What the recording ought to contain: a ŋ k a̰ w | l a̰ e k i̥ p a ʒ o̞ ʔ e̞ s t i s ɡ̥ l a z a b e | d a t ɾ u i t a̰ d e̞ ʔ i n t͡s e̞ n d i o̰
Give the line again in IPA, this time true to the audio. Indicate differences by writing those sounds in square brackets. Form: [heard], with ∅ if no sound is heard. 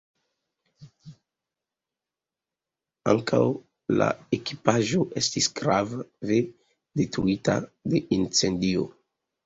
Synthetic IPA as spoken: a ŋ k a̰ w | l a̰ e k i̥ p a ʒ o̞ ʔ e̞ s t i s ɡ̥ [ɾ] a [v] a [v] e | d [e] t ɾ u i t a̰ d e̞ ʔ i n t͡s e̞ n d i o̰